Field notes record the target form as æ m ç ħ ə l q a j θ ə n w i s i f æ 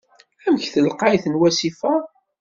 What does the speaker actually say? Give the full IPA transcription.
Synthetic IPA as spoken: æ m ç θ ə l q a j θ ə n w æ s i f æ